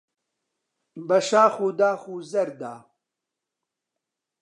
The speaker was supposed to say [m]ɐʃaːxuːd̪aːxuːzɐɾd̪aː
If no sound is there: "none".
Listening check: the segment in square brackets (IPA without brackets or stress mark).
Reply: b